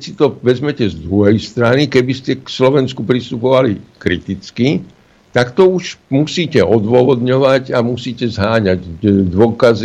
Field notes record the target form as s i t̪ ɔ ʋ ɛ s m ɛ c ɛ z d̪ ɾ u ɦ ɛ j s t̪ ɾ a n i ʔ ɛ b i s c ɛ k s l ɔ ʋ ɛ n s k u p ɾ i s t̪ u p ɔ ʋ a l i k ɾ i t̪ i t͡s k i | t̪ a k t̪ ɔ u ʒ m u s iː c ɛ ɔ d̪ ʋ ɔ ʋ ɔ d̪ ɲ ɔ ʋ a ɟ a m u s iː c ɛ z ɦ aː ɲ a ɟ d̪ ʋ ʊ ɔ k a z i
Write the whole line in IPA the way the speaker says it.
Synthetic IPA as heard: s i t̪ ɔ ʋ ɛ z m ɛ c ɛ z d̪ ɾ u ɦ ɛ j s t̪ ɾ a n i k ɛ b i s c ɛ k s l ɔ ʋ ɛ n s k u p ɾ i s t̪ u p ɔ ʋ a l i k ɾ i t̪ i t͡s k i | t̪ a k t̪ ɔ u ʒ m u s iː c ɛ ɔ d̪ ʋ ɔ ʋ ɔ d̪ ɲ ɔ ʋ a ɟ a m u s iː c ɛ z ɦ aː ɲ a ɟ d̪ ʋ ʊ ɔ k a z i